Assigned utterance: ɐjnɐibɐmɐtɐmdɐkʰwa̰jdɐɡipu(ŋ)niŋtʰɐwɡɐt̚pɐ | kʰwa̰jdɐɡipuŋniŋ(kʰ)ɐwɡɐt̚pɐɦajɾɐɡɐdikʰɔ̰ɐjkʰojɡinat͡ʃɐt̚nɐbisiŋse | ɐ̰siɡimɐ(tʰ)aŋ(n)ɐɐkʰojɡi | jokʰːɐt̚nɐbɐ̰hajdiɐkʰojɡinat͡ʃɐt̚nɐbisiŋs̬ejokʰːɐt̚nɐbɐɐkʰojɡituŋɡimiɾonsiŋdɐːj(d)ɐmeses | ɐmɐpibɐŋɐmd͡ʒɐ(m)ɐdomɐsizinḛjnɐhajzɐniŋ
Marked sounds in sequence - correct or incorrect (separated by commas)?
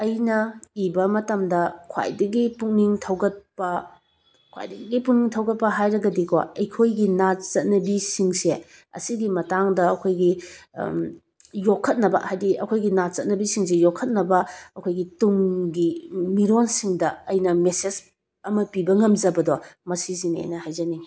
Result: correct, incorrect, incorrect, incorrect, incorrect, incorrect